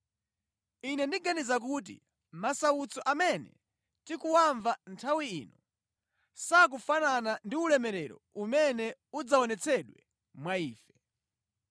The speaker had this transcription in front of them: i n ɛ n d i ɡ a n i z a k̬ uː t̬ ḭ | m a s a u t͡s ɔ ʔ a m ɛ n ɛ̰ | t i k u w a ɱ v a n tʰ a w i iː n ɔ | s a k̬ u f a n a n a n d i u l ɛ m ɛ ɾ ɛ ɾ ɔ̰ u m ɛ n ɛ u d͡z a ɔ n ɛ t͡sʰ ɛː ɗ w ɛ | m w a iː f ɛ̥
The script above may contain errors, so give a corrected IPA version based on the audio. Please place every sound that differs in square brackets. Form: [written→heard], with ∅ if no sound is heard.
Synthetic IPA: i n ɛ n d i ɡ a n i z a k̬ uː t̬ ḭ | m a s a u t͡s ɔ ʔ a m ɛ n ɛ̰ | t i k u w a ɱ v a n tʰ a w i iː n ɔ | s a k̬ u f a n a n a n d i u l ɛ m ɛ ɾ ɛ ɾ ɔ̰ u m ɛ n ɛ u d͡z a ɔ n ɛ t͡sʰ [ɛː→ɛ] ɗ w ɛ | m w a iː f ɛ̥